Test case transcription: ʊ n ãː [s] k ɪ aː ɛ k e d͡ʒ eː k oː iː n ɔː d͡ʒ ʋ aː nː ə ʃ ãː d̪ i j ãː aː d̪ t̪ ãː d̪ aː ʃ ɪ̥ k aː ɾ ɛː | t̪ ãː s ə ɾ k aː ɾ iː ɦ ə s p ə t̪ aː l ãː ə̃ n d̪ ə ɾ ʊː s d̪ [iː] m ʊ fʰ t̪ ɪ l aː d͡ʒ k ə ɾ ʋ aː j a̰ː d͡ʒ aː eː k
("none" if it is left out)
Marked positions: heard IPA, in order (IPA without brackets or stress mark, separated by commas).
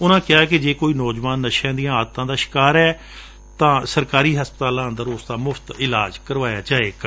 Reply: none, aː